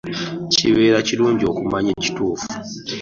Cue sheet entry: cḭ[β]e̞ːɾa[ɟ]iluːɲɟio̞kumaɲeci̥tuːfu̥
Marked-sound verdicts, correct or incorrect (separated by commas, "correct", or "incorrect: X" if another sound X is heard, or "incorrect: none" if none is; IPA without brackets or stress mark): correct, incorrect: c